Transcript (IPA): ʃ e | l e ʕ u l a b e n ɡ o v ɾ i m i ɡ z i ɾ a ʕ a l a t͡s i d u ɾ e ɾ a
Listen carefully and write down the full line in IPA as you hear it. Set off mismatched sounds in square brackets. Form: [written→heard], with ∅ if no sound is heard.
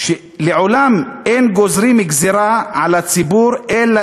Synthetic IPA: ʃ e | l e ʕ [u→o] l a [b→m] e n ɡ o [v→z] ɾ i m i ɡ z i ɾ a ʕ a l a t͡s i [d→b] u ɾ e [ɾ→l] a

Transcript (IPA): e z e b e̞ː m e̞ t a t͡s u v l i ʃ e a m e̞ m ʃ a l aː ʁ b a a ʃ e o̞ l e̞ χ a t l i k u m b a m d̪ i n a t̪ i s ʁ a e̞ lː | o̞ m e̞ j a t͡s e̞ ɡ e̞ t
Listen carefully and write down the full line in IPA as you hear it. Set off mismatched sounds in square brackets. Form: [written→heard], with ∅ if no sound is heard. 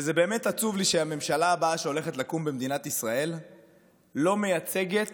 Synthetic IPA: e z e b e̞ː m e̞ t a t͡s u v l i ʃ e a m e̞ m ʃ a l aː [ʁ→∅] b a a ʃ e o̞ l e̞ χ [a→e] t l [i→a] k u m b [a→e] m d̪ i n a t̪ i s ʁ a e̞ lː | o̞ m e̞ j a t͡s e̞ ɡ e̞ t

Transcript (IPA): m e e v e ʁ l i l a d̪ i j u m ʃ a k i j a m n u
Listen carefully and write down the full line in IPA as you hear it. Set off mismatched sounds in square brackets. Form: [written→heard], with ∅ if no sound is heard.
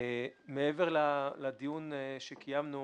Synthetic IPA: m e e v e ʁ l [i→a] l a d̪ i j u [m→n] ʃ [a→e] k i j a m n u

